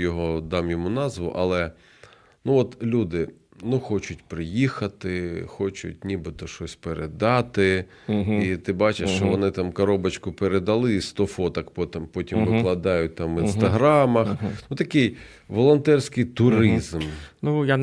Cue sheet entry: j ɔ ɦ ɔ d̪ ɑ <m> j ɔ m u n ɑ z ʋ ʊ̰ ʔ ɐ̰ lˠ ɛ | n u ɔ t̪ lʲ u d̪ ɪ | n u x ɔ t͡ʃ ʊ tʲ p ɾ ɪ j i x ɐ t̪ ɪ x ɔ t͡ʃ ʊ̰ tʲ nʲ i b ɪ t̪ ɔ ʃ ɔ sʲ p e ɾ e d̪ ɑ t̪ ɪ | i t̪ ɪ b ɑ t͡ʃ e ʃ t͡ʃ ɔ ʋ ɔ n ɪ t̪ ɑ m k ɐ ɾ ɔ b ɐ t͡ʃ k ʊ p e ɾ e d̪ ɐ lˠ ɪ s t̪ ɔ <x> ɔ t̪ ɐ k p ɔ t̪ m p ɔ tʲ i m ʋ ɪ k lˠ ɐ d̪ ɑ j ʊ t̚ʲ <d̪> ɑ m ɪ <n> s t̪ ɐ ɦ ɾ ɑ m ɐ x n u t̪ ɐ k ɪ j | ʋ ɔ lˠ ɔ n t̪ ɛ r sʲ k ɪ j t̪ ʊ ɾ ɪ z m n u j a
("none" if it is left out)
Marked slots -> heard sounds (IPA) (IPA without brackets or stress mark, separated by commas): m, f, t̪, n